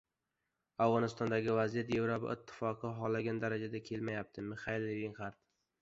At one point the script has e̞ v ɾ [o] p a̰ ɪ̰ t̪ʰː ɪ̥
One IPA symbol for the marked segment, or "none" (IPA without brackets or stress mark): o